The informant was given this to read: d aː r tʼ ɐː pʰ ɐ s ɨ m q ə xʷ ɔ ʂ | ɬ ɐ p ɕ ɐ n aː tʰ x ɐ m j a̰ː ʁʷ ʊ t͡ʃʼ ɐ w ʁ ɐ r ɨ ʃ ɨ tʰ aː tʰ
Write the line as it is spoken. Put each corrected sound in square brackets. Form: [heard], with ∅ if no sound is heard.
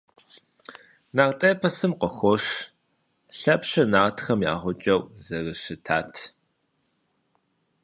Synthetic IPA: [n] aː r tʼ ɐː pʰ ɐ s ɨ m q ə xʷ ɔ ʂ | ɬ ɐ p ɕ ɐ n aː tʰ x ɐ m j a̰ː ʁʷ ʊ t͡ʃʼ ɐ w [z] ɐ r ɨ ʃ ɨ tʰ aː tʰ